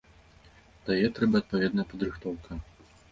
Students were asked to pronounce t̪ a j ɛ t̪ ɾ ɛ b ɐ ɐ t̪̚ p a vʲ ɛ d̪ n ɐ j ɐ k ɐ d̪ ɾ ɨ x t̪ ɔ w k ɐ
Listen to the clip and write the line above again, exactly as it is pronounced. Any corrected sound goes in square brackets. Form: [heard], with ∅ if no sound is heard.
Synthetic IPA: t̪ a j ɛ t̪ ɾ ɛ b ɐ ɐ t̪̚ p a vʲ ɛ d̪ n ɐ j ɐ [p] ɐ d̪ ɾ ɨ x t̪ ɔ w k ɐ